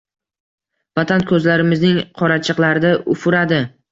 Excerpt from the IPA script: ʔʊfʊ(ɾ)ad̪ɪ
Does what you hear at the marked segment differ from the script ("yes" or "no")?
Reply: no